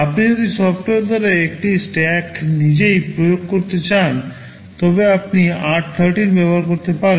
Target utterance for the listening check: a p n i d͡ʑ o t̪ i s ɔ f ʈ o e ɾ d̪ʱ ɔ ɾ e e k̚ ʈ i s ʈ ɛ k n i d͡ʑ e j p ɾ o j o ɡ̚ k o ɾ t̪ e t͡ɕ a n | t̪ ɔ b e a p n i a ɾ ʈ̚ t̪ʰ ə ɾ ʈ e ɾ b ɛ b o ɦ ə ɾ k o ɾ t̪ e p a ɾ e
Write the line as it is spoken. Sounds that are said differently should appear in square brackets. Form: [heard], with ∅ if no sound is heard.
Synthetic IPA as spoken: a p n i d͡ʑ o [d̪] i s ɔ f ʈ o e ɾ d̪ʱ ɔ ɾ e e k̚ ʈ i s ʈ ɛ k n i d͡ʑ e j p ɾ o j o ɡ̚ k o ɾ t̪ e t͡ɕ a n | t̪ ɔ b e a p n i a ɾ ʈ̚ t̪ʰ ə ɾ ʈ [i] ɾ b ɛ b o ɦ [a] ɾ k o ɾ t̪ e p a ɾ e